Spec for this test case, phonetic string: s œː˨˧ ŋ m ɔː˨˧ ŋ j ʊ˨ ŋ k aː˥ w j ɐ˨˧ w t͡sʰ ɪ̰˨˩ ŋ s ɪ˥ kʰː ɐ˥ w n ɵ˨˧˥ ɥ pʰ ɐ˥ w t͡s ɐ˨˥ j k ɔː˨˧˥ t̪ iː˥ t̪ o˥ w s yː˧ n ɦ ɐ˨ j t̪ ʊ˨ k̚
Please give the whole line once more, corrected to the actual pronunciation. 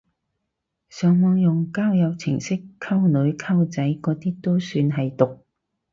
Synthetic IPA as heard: s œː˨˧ ŋ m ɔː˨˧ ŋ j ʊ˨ ŋ k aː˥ w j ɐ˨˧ w t͡sʰ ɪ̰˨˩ ŋ s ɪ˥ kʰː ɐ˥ w n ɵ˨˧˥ ɥ kʰ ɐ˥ w t͡s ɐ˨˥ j k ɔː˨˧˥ t̪ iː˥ t̪ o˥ w s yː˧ n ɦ ɐ˨ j t̪ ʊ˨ k̚